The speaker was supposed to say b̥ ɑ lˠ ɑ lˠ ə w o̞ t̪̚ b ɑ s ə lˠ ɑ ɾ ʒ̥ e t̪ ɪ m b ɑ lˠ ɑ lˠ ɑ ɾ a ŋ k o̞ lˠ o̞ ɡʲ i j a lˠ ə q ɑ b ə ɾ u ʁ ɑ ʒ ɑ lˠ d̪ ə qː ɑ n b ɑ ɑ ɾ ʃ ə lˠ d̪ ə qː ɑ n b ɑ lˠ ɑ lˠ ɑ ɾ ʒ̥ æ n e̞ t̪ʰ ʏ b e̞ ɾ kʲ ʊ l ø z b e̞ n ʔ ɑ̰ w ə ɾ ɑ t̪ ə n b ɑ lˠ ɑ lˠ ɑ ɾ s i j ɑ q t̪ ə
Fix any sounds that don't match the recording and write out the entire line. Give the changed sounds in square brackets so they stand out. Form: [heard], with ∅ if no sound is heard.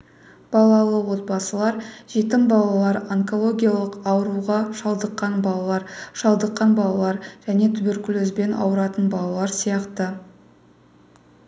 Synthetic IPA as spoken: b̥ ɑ lˠ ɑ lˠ ə w o̞ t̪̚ b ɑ s ə lˠ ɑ ɾ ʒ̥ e t̪ ɪ m b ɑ lˠ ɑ lˠ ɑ ɾ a ŋ k o̞ lˠ o̞ ɡʲ i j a lˠ ə q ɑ [w] ə ɾ u ʁ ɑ [ʃ] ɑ lˠ d̪ ə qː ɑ n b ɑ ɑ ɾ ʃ [ɑ] lˠ d̪ ə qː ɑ n b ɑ lˠ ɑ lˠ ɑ ɾ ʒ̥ æ n e̞ t̪ʰ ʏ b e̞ ɾ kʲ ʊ l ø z b e̞ n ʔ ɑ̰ w ə ɾ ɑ t̪ ə n b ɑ lˠ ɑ lˠ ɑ ɾ s i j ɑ q t̪ ə